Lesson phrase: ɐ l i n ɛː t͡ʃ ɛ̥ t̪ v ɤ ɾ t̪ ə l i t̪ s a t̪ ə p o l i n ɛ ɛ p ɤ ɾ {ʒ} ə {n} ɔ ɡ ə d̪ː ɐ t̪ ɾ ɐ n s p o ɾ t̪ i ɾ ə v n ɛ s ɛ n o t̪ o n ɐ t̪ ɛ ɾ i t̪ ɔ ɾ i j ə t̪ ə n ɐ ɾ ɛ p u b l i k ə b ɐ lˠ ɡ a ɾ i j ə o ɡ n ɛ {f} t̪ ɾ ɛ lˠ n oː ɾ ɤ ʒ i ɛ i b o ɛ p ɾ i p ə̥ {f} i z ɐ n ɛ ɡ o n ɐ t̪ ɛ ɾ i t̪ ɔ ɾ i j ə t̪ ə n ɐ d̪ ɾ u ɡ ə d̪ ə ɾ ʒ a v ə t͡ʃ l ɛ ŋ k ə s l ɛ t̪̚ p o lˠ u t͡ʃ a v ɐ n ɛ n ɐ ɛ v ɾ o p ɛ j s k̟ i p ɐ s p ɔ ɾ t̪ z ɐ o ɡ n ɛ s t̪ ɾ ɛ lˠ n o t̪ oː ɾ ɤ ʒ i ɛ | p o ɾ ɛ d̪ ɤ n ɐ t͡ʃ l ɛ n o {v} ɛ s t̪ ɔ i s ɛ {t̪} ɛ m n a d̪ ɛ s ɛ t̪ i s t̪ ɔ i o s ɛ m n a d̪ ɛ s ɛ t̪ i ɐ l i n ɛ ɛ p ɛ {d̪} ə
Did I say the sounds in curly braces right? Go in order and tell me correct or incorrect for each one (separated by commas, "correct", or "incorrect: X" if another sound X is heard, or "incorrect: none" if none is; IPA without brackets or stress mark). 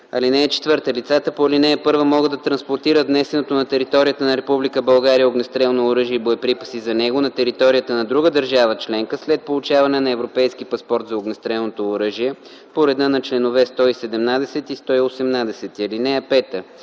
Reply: incorrect: v, incorrect: m, incorrect: s, incorrect: s, correct, incorrect: d̪, incorrect: t̪